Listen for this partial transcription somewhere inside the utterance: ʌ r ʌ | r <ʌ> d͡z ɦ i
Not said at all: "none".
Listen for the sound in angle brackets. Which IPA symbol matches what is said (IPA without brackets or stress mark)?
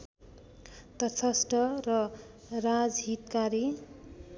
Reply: a